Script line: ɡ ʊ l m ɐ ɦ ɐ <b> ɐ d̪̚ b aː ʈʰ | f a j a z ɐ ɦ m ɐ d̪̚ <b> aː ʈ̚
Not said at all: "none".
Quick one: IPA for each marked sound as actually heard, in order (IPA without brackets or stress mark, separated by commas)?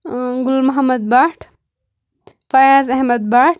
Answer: m, b